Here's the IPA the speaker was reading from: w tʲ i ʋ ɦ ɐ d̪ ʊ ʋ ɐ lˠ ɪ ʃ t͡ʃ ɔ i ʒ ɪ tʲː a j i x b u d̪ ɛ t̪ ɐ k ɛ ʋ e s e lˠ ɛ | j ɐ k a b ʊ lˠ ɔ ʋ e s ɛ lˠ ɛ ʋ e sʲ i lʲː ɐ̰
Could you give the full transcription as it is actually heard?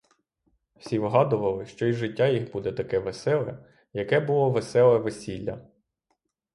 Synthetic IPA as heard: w sʲ i ʋ ɦ ɑ d̪ ʊ ʋ ɐ lˠ ɪ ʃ t͡ʃ ɔ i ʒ ɪ tʲː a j i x b u d̪ ɛ t̪ ɐ k ɛ ʋ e s ɛ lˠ ɛ | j ɐ k ɛ b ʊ lˠ ɔ ʋ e s ɛ lˠ ɛ ʋ e sʲ i lʲː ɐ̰